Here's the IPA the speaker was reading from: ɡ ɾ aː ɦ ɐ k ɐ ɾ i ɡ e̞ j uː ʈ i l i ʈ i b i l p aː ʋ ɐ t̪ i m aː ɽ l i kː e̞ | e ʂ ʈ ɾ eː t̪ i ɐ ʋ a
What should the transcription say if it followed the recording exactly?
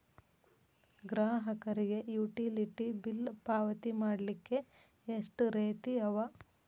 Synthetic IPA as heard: ɡ ɾ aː ɦ ɐ k ɐ ɾ i ɡ e̞ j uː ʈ i l i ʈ i b i l p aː ʋ ɐ t̪ i m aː ɽ l i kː e̞ | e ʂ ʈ ɾ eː t̪ i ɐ ʋ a